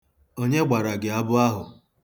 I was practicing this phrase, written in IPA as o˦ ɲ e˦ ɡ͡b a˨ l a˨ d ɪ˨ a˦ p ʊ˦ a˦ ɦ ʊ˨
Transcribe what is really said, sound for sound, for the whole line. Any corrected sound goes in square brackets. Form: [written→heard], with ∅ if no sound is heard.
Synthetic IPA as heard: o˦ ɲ e˦ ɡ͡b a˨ [l→ɾ] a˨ [d→ɡ] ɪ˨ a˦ [p→b] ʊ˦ a˦ ɦ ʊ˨